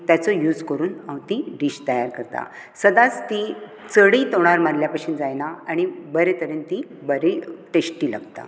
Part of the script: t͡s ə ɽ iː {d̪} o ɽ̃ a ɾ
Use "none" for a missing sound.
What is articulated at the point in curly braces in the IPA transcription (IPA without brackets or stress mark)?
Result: t̪